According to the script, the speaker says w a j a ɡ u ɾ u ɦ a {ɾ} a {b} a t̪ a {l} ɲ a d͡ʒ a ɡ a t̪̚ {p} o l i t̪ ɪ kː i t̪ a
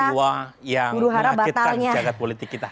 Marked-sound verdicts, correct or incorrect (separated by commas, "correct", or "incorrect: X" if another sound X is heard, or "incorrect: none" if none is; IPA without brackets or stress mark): correct, correct, correct, correct